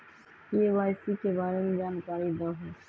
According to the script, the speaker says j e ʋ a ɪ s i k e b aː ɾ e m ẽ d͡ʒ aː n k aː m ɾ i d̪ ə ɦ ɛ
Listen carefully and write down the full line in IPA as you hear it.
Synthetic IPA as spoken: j e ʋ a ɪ s i k e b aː ɾ e m e d͡ʒ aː n k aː ɾ i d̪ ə ɦ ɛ